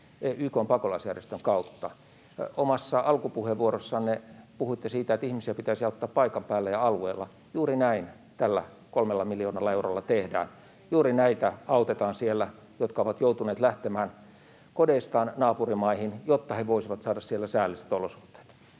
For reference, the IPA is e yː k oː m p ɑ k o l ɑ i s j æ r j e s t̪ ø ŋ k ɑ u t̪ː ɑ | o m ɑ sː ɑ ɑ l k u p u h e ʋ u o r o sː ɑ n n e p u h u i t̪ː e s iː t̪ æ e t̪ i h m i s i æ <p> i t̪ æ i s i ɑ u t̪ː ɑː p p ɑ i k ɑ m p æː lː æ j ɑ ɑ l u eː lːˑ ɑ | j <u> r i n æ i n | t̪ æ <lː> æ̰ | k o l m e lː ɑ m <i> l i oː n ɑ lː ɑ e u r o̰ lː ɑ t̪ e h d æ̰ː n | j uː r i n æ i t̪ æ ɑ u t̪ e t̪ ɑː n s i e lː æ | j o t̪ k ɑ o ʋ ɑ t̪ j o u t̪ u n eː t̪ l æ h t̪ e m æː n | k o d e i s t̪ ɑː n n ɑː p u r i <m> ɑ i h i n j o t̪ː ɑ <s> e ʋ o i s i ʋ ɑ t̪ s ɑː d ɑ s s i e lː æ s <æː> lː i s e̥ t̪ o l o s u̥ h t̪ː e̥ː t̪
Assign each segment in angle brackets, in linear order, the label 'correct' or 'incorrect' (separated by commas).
correct, incorrect, correct, correct, correct, incorrect, correct